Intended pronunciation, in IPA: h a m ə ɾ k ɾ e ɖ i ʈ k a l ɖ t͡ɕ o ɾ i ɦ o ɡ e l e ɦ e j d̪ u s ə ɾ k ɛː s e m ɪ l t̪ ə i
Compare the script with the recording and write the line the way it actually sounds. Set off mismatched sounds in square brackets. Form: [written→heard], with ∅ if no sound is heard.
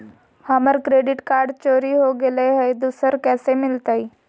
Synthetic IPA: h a m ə ɾ k ɾ e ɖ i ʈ k a [l→ɾ] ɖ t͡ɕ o ɾ i ɦ o ɡ e l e ɦ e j d̪ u s ə ɾ k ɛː s e m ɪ l t̪ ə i